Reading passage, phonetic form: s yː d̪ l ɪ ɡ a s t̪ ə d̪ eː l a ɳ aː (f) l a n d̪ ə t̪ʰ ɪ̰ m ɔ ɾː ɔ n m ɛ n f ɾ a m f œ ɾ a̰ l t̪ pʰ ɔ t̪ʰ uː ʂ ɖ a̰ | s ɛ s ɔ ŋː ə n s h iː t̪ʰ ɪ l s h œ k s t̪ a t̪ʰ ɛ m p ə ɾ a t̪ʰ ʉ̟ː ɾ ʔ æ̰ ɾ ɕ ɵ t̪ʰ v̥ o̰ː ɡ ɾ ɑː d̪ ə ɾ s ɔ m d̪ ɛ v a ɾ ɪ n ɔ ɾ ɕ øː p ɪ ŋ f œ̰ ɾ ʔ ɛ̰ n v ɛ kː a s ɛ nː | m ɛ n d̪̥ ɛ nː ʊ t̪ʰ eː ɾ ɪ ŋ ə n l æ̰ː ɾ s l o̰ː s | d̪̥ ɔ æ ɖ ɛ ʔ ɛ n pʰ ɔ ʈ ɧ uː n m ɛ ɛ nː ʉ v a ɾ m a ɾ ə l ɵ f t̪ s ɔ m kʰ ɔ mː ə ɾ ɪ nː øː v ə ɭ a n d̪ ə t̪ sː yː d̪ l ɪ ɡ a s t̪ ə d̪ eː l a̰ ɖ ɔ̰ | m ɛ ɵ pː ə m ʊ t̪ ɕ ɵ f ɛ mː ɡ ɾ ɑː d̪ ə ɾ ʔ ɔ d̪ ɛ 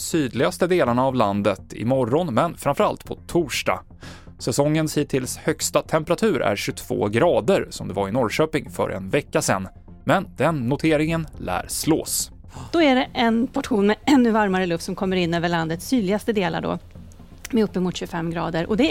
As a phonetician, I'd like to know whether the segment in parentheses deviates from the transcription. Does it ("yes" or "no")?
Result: yes